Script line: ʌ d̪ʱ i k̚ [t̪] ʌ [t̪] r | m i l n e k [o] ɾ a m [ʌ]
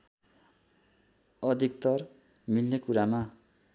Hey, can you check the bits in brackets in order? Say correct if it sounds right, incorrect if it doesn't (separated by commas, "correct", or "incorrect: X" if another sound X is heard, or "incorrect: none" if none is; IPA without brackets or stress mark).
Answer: correct, incorrect: none, incorrect: u, incorrect: a